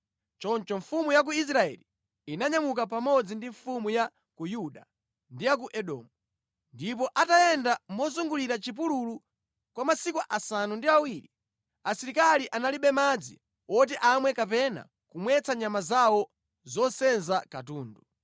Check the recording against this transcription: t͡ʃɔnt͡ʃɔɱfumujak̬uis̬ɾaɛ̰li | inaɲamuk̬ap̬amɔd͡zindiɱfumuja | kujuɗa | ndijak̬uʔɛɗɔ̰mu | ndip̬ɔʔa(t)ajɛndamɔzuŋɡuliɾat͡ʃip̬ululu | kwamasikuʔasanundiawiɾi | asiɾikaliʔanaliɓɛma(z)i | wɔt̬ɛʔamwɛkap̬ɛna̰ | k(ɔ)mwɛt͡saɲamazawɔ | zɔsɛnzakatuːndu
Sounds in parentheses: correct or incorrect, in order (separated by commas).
correct, incorrect, incorrect